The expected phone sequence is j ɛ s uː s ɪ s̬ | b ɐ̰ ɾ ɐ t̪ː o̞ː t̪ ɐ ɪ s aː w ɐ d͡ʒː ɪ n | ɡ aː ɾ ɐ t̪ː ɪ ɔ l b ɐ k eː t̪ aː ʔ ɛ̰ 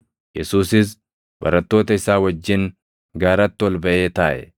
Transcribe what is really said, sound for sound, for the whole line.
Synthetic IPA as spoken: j ɛ s uː s ɪ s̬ | b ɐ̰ ɾ ɐ t̪ː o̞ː t̪ ɐ ɪ s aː w ɐ d͡ʒː ɪ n | ɡ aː ɾ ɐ t̪ː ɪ ɔ l b ɐ ʔ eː t̪ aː ʔ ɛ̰